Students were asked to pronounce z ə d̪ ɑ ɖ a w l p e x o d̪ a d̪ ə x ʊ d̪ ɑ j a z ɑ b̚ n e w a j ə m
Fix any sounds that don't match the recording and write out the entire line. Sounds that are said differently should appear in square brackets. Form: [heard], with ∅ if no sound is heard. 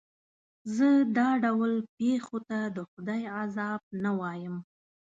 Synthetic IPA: z ə d̪ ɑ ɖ a w l p e x o [t̪] a d̪ ə x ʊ d̪ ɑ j a z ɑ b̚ n [a] w [ɑ] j ə m